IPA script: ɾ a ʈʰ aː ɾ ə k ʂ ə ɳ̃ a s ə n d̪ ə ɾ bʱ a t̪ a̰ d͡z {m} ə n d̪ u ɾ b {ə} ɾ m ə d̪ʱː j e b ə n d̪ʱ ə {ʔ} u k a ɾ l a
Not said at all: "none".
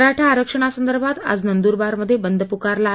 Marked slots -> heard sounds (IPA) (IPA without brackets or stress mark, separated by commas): n, a, p